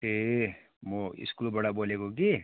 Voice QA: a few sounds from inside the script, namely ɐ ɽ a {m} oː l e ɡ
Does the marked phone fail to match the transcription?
yes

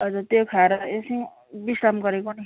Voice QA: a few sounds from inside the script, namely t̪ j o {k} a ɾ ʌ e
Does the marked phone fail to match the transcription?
yes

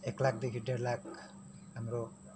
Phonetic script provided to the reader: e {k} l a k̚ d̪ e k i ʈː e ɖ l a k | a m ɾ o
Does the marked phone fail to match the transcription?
no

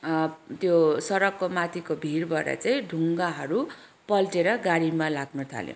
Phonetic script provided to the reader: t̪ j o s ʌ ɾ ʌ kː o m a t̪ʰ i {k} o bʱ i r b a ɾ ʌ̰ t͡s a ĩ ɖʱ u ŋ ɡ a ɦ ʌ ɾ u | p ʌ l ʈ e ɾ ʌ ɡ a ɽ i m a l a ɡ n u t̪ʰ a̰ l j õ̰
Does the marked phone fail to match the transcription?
no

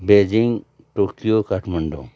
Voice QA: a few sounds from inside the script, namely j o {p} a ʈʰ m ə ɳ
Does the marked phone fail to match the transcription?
yes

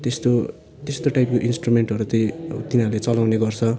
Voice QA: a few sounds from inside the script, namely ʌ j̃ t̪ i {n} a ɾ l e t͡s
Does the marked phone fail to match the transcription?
no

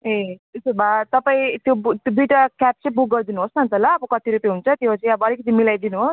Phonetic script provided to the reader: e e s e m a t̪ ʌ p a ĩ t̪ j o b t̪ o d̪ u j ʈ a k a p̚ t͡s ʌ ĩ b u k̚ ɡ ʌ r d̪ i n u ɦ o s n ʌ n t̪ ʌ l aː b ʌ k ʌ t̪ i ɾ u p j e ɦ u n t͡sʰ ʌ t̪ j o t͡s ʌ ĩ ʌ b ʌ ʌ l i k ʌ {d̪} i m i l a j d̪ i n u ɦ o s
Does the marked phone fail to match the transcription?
yes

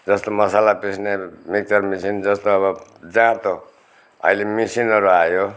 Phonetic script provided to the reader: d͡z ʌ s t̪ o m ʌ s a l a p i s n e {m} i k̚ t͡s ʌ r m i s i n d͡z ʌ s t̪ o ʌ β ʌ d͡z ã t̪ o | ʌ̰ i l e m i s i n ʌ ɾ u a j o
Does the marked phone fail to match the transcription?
no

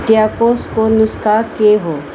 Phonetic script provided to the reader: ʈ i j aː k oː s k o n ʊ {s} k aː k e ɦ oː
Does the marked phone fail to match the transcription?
no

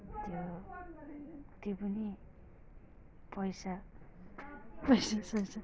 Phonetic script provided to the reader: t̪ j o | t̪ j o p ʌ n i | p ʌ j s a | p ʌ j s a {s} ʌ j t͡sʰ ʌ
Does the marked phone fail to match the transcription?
no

